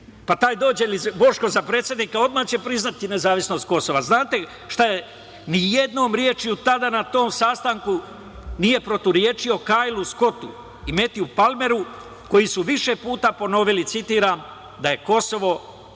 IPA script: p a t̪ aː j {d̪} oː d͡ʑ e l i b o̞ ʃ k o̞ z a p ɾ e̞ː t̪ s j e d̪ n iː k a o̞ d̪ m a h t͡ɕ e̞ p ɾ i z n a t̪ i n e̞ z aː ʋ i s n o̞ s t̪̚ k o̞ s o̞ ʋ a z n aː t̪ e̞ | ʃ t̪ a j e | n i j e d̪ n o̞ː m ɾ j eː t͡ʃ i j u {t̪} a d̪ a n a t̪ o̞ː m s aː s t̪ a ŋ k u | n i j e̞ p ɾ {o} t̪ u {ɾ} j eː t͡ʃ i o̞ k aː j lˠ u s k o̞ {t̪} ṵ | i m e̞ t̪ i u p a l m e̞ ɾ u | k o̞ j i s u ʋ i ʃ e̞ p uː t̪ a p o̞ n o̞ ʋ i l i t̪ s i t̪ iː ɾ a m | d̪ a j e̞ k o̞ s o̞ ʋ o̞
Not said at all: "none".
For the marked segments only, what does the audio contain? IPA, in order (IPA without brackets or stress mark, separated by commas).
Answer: d̪, t̪, o, ɾ, t̪